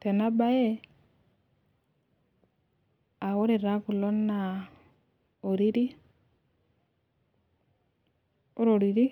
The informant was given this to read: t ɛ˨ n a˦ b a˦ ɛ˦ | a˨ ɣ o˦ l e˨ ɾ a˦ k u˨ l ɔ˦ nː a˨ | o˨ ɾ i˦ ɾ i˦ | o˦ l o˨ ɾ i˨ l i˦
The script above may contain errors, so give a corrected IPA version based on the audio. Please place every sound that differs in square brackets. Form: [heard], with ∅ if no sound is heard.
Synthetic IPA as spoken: t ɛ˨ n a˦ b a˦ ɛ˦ | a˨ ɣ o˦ [ɾ] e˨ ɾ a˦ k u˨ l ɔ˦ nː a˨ | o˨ ɾ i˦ ɾ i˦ | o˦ [ɾ] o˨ ɾ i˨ [ɾ] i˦